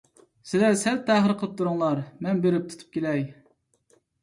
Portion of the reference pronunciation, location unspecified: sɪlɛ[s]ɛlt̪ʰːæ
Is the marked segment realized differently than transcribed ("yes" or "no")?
no